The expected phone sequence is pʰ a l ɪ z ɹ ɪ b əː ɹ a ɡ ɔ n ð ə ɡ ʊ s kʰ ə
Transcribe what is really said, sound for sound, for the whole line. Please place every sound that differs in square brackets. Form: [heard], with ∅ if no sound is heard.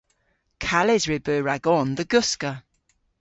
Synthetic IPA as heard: [kʰ] a l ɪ z ɹ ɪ b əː ɹ a ɡ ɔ n ð ə ɡ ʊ s [k] ə